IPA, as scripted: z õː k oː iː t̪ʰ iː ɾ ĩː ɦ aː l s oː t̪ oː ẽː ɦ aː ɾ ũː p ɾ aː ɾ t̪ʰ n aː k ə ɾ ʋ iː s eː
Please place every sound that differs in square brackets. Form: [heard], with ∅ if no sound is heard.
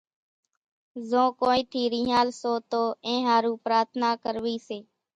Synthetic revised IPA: z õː k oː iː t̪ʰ iː ɾ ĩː ɦ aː l s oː t̪ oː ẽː ɦ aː ɾ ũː p ɾ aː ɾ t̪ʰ n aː k ə ɾ ʋ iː s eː